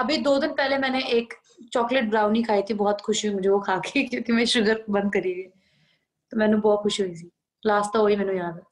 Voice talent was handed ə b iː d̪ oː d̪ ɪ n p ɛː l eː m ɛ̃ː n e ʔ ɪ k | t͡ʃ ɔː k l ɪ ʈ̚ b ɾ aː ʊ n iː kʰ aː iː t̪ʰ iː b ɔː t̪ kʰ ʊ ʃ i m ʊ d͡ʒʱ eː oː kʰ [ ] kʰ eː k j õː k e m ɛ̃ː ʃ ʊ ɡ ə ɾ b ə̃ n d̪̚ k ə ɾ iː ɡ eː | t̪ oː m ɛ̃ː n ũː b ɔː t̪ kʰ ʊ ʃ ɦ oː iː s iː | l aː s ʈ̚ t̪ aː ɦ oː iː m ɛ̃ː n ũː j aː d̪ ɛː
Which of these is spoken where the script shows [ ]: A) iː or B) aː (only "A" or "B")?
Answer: B